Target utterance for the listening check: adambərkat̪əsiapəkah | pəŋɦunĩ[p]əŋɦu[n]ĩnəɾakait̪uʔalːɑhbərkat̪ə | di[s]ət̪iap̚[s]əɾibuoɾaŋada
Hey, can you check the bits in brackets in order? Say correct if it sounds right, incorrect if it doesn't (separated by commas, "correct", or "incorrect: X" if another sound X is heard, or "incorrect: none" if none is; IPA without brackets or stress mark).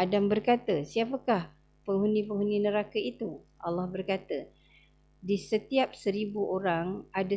correct, correct, correct, correct